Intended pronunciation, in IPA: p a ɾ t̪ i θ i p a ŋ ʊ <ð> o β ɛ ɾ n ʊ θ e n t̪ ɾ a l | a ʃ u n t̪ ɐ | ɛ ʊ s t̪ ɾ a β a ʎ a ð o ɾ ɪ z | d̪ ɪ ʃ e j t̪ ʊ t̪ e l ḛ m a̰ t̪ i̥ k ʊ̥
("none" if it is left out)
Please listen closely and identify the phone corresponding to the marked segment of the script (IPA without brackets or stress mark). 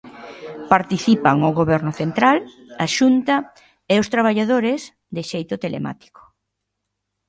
ɣ